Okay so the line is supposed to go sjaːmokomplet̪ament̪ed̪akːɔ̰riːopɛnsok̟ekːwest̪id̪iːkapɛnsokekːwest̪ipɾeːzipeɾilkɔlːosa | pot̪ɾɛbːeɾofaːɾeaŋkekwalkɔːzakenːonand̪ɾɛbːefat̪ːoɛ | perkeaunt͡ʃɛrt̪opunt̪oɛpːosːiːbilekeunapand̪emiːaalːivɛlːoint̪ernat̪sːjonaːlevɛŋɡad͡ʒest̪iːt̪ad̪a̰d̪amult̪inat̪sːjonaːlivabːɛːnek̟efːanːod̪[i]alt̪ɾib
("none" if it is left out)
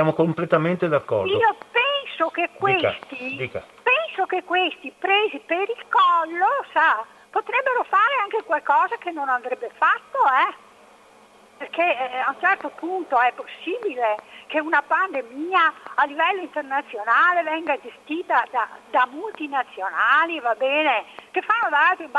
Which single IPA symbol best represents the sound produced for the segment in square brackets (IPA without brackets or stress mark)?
a